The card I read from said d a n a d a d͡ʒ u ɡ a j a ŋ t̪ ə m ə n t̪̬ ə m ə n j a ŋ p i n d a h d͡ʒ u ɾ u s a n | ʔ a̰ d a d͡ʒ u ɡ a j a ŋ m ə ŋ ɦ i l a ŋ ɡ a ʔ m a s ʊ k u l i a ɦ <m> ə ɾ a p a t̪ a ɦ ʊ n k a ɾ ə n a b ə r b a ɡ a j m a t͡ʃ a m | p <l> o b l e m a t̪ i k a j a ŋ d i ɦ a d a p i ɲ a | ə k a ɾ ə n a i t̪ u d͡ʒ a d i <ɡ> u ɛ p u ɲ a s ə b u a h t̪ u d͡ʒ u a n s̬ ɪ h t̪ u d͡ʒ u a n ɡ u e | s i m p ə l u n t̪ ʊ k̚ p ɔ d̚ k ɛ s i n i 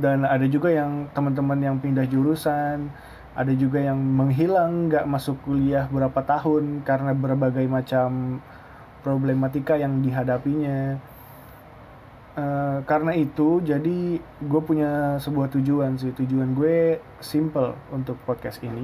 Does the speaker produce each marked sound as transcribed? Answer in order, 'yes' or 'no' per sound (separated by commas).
no, no, yes